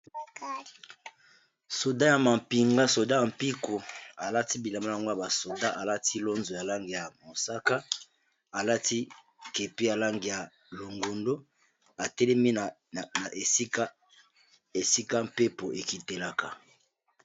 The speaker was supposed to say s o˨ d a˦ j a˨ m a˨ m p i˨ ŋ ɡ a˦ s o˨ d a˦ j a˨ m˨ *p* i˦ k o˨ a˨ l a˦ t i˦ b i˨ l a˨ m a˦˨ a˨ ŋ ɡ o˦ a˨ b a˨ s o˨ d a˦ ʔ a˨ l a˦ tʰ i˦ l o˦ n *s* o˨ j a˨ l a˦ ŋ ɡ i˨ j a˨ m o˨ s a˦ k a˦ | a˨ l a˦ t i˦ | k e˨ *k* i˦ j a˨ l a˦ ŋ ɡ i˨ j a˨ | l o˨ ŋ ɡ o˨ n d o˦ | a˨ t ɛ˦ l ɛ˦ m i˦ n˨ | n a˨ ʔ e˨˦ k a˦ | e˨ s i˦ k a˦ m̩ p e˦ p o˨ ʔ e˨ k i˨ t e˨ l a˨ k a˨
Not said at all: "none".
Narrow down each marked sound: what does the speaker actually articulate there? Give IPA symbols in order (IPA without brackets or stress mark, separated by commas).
p, z, p